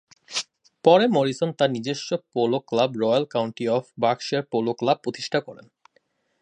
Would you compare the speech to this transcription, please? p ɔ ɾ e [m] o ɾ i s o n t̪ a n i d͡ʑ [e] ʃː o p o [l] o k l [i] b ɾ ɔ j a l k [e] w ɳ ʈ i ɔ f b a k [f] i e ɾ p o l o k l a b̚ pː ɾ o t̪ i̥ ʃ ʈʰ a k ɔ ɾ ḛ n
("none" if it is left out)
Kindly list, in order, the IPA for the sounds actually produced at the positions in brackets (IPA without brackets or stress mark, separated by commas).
m, e, l, a, a, ʃ